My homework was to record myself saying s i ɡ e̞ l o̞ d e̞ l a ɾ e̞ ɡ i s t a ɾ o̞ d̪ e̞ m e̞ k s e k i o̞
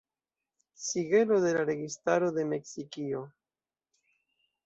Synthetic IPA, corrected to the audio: s i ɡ e̞ l o̞ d e̞ l a ɾ e̞ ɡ i s t a ɾ o̞ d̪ e̞ m e̞ k s i k i o̞